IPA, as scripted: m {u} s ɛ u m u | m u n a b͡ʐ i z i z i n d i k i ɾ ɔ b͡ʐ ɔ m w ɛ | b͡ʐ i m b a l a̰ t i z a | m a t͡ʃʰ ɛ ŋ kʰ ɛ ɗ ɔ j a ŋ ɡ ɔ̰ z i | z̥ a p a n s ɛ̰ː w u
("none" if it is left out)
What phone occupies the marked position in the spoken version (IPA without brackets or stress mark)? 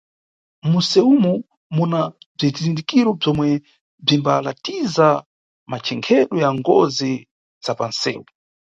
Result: u